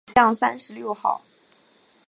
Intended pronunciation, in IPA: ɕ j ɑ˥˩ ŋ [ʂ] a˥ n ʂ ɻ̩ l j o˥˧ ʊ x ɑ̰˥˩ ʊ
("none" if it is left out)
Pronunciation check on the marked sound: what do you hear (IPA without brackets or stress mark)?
s